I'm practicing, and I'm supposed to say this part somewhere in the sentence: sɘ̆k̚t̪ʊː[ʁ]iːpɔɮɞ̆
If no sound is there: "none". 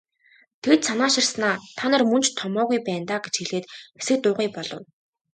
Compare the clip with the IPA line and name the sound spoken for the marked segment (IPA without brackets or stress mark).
ʁ